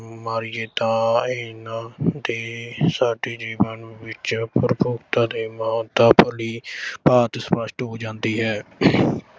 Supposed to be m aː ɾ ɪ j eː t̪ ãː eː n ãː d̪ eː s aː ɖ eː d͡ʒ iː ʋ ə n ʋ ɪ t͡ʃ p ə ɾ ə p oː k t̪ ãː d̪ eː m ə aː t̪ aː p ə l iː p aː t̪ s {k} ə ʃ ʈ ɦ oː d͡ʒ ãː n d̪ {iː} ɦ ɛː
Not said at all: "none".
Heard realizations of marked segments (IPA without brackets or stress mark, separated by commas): p, iː